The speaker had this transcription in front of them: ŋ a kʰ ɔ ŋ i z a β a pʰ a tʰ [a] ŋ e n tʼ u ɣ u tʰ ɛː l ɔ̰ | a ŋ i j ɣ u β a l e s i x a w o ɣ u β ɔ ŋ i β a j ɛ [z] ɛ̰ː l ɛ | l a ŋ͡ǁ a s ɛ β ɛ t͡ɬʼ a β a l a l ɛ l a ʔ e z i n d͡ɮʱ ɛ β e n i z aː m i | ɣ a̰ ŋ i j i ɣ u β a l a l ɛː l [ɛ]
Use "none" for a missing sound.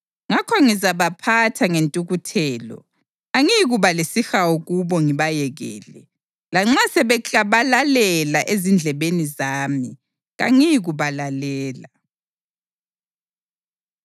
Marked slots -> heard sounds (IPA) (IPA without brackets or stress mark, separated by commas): a, ɣ, a